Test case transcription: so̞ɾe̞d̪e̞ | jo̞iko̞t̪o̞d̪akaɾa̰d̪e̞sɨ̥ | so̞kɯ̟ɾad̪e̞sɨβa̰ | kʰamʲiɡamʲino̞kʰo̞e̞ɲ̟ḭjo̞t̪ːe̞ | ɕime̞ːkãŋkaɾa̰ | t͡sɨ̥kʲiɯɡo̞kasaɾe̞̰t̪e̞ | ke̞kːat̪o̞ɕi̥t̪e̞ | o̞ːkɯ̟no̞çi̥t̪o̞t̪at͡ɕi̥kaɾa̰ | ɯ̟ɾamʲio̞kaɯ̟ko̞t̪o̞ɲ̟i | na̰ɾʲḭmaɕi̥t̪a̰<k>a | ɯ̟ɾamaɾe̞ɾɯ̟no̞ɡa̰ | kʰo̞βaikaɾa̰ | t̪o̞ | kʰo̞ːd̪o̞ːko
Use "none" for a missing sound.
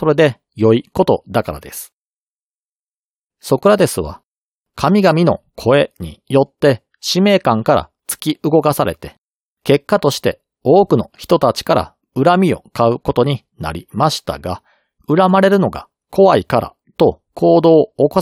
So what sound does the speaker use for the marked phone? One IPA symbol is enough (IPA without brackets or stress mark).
ɡ